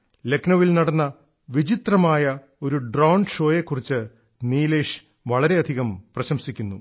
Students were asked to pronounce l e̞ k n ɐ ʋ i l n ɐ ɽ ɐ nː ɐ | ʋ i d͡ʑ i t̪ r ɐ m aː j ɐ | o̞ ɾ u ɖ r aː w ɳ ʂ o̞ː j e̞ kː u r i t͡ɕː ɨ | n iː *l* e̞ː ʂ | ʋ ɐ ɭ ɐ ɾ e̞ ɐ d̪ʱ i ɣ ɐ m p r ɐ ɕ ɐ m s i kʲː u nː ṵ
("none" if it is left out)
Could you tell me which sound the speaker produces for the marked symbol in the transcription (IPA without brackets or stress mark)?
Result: l